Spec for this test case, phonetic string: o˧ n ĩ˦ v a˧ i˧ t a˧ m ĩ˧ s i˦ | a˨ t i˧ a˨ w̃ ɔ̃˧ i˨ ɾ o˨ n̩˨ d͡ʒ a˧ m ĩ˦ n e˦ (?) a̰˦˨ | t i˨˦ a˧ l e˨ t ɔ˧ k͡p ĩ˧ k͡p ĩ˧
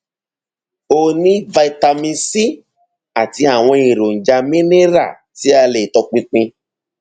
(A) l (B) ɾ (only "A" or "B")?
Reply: B